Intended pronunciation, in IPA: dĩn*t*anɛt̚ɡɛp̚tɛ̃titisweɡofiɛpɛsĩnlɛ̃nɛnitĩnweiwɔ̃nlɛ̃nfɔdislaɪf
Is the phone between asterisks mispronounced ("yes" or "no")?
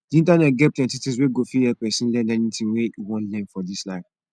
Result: no